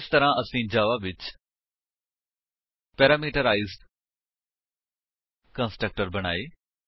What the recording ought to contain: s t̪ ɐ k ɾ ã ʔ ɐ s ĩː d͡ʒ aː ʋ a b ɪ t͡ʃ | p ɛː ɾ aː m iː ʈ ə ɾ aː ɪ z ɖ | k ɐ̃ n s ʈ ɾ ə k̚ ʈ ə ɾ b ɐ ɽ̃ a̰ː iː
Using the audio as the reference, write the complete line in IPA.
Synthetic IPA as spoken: s t̪ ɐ ɾ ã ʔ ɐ s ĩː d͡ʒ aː ʋ a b ɪ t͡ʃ | p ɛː ɾ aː m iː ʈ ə ɾ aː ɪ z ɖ | k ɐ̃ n s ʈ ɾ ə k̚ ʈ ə ɾ b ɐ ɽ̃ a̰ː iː

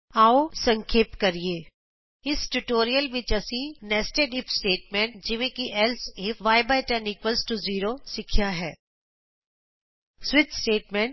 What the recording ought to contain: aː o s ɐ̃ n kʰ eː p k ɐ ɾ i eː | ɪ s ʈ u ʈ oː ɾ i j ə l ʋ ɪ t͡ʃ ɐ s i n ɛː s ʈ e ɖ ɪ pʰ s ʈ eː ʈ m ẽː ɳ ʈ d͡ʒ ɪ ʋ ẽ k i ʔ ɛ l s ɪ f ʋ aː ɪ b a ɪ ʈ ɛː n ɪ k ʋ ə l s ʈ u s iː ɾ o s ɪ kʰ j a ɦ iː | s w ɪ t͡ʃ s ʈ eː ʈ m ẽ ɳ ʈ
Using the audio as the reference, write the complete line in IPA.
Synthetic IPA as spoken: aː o s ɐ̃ ŋ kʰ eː p k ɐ ɾ i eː | ɪ s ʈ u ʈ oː ɾ i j ə l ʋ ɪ t͡ʃ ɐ s i n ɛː s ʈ e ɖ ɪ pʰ s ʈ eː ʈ m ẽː ɳ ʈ d͡ʒ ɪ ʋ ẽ k i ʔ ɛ l s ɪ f ʋ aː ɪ b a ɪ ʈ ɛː n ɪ k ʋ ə l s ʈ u z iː ɾ o s ɪ kʰ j a ɦ ɛː | s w ɪ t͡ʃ s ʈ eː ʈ m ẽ ɳ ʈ

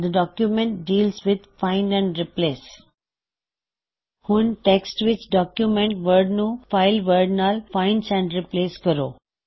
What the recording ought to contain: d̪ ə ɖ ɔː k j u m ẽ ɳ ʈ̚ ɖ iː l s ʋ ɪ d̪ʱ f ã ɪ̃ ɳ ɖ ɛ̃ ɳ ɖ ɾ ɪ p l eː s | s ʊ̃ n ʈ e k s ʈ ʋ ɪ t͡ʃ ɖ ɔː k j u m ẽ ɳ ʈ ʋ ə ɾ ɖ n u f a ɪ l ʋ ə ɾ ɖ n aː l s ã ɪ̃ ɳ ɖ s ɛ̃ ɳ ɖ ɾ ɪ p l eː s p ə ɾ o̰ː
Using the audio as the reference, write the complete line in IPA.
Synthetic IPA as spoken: d̪ ə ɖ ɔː k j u m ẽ ɳ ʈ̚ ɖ iː l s ʋ ɪ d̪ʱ f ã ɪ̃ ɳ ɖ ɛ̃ ɳ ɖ ɾ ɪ p l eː s | h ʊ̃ n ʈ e k s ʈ ʋ ɪ t͡ʃ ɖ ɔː k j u m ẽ ɳ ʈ ʋ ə ɾ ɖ n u f a ɪ l ʋ ə ɾ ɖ n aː l f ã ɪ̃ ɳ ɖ s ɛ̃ ɳ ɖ ɾ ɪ p l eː s k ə ɾ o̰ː

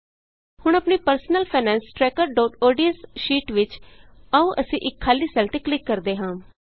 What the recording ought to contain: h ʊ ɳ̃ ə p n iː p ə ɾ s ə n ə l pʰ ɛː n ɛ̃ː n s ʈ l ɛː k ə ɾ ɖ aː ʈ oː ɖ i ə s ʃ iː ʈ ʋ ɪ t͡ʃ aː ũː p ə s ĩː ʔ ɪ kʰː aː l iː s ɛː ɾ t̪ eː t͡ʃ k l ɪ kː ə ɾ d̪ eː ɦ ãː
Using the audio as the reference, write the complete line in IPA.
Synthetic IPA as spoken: h ʊ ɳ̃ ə p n iː p ə ɾ s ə n ə l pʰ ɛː n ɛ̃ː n s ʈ ɾ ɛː k ə ɾ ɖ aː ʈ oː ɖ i ə s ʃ iː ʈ ʋ ɪ t͡ʃ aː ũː ʔ ə s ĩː ʔ ɪ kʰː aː l iː s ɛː l t̪ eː k l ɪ kː ə ɾ d̪ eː ɦ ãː

